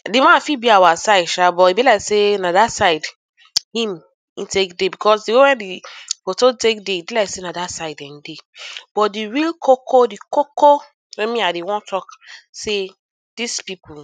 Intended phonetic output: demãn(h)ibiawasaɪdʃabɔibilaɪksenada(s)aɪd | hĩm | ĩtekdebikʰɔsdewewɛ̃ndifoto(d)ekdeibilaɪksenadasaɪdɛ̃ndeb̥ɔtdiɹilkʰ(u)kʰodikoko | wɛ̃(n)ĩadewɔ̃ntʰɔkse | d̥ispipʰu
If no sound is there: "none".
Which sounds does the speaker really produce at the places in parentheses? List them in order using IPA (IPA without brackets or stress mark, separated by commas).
f, s, t, o, m